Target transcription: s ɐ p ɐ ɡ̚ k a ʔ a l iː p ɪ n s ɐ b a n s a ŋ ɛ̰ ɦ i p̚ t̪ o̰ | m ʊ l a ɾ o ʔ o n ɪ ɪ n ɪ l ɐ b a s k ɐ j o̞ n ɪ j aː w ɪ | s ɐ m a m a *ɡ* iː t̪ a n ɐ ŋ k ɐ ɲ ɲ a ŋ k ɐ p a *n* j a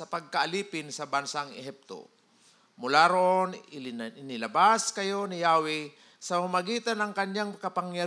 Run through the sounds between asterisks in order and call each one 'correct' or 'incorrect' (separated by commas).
correct, incorrect